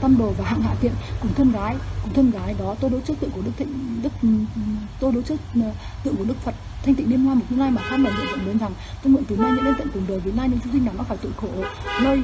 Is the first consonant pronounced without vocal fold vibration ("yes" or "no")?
yes